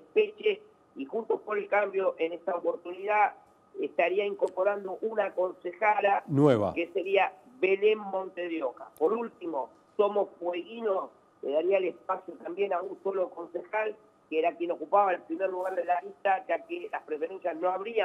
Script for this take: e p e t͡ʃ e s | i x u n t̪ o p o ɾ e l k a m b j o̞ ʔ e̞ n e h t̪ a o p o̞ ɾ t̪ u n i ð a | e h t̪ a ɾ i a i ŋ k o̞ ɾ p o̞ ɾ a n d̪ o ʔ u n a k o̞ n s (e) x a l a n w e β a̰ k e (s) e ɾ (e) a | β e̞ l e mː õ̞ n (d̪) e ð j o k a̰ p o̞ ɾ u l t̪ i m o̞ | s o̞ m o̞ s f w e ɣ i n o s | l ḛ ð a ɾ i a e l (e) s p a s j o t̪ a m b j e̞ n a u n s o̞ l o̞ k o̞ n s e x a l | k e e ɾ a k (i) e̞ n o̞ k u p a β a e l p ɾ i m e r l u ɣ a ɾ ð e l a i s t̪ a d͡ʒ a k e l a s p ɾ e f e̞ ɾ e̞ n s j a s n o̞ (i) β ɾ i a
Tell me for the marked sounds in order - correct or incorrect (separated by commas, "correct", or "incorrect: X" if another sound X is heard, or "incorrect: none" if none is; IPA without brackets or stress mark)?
correct, correct, incorrect: i, incorrect: t̪, correct, incorrect: j, incorrect: a